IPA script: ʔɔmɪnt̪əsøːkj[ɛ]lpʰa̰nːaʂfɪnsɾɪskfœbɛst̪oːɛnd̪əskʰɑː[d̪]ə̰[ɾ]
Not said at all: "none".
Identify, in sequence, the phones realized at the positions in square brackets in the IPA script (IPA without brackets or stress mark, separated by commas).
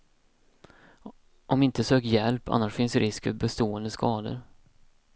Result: ɛ, d̪, ɾ